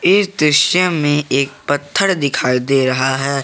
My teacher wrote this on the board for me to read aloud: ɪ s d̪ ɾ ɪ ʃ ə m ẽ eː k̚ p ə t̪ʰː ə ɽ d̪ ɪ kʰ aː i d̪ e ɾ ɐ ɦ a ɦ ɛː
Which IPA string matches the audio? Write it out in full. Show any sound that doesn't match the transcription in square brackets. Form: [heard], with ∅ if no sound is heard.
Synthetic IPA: ɪ s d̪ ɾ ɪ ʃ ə m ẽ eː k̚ p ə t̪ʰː ə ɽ d̪ ɪ kʰ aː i d̪ e ɾ ɐ ɦ a ɦ ɛː